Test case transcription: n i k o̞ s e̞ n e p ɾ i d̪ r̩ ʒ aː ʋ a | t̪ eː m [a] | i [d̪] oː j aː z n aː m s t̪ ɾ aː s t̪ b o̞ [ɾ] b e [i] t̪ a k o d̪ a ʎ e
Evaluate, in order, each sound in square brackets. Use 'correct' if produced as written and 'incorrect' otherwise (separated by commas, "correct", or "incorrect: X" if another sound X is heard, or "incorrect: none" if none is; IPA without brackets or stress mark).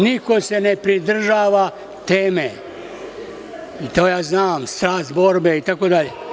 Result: incorrect: e, incorrect: t̪, correct, correct